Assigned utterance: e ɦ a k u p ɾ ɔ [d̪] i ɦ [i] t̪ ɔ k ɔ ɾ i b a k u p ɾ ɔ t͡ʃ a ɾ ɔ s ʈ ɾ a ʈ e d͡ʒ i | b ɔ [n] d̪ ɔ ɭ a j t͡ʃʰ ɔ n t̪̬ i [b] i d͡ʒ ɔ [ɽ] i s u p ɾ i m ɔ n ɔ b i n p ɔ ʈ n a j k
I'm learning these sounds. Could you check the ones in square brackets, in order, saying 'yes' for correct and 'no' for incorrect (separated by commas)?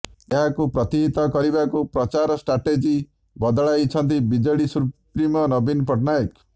no, yes, no, yes, yes